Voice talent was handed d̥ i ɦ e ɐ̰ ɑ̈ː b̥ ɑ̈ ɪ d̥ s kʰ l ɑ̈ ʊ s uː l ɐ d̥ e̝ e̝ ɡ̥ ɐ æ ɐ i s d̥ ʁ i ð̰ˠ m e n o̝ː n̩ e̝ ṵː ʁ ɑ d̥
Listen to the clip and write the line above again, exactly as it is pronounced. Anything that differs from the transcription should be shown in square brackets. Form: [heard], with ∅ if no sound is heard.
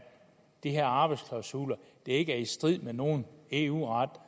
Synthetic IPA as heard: d̥ i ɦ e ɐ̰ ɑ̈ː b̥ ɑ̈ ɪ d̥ s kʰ l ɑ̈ ʊ s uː l ɐ d̥ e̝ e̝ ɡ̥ [ə] æ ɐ i s d̥ ʁ i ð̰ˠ m e n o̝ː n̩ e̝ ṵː ʁ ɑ d̥

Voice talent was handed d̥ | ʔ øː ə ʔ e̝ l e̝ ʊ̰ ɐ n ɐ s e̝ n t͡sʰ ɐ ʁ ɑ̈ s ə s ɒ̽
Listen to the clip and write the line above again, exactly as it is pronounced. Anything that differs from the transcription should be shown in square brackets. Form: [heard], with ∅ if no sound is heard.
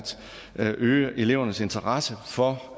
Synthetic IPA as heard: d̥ | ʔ øː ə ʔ e̝ l e̝ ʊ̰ ɐ n [ə] s e̝ n t͡sʰ ɐ ʁ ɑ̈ s ə [f] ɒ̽

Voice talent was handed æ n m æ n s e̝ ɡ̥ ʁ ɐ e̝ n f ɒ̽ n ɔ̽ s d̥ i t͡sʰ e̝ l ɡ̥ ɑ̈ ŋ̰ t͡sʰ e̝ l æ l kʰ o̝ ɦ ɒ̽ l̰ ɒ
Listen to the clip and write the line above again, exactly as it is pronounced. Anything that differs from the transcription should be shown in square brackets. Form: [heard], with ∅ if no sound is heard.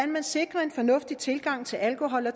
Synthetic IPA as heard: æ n m æ n s e̝ ɡ̥ ʁ ɐ e̝ n f ɒ̽ n ɔ̽ [f] d̥ i t͡sʰ e̝ l ɡ̥ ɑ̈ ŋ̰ t͡sʰ e̝ l æ l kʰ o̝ ɦ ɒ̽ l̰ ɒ

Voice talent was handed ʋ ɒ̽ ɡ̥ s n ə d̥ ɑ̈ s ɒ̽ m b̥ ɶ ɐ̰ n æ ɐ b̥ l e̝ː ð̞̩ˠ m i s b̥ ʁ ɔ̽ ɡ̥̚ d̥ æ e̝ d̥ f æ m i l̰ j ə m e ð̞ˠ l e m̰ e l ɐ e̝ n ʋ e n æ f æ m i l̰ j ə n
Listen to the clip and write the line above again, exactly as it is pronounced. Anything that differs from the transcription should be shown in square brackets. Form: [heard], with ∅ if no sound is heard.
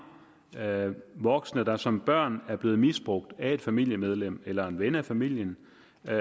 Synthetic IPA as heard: ʋ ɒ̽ ɡ̥ s n ə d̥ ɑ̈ s ɒ̽ m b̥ ɶ ɐ̰ n æ ɐ b̥ l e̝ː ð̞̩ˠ m i s b̥ ʁ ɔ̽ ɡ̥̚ d̥ æ e̝ d̥ f æ m i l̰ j ə m e ð̞ˠ l e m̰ e l ɐ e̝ n ʋ e n æ f æ m i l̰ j ə n

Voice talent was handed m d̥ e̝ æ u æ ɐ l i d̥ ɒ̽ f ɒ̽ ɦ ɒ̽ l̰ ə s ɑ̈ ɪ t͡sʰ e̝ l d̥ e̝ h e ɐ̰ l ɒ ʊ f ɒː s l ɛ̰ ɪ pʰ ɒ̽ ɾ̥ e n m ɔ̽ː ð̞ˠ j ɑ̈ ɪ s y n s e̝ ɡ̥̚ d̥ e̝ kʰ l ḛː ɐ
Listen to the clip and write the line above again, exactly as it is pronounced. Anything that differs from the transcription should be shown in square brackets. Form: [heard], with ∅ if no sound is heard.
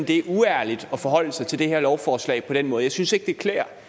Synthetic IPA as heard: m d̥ e̝ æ u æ ɐ l i d̥ ɒ̽ f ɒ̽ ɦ ɒ̽ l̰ ə s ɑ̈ ɪ t͡sʰ e̝ l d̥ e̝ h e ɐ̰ l ɒ ʊ f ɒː s l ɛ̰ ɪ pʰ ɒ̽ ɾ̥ e n m ɔ̽ː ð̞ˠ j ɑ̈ ɪ s y n s e̝ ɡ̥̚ d̥ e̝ kʰ l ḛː ɐ

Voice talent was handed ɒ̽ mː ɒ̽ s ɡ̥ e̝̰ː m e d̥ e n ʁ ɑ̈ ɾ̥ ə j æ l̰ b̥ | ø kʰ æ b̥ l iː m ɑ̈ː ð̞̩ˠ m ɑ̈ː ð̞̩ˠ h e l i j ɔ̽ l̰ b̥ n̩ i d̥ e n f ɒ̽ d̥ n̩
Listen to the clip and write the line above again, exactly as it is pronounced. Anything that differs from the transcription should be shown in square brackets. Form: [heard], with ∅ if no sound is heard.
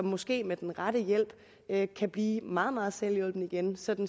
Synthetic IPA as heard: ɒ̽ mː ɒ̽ s ɡ̥ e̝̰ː m e d̥ e n ʁ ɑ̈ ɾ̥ ə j [e] l̰ b̥ | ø kʰ æ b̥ l iː m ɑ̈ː ð̞̩ˠ m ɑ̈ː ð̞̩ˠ [s] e l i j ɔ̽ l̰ b̥ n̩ i [ɡ̥] e n [s] ɒ̽ d̥ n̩

